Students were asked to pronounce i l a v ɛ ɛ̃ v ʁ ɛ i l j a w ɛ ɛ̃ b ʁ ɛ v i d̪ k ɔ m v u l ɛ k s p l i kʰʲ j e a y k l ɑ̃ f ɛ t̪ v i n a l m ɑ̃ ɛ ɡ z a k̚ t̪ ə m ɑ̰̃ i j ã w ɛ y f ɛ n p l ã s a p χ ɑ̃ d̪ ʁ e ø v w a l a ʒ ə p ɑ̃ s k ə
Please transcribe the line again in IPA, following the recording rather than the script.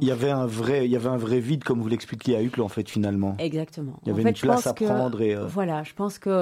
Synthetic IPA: i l a v ɛ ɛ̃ v ʁ ɛ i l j a v ɛ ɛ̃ v ʁ ɛ v i d̪ k ɔ m v u l ɛ k s p l i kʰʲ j e a y k l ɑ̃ f ɛ t̪ f i n a l m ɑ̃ ɛ ɡ z a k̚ t̪ ə m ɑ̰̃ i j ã v ɛ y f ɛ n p l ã s a p χ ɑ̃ d̪ ʁ e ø v w a l a ʒ ə p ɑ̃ s k ə